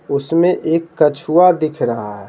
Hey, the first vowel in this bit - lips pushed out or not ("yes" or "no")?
yes